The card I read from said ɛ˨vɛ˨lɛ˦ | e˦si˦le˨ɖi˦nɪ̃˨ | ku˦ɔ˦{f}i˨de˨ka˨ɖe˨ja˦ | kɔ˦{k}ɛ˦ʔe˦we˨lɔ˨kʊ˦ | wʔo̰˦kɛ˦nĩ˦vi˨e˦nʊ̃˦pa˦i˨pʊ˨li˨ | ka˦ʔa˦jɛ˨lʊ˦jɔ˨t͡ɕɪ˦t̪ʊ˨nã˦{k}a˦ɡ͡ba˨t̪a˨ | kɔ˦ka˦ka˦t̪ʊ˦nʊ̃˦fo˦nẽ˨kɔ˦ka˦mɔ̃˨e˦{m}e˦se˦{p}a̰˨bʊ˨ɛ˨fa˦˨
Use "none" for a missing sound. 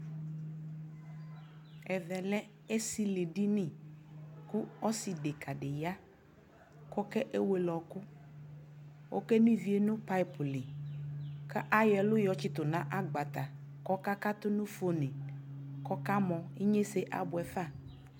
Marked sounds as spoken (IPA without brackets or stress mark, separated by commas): s, k, ʔ, ɲ, ʔ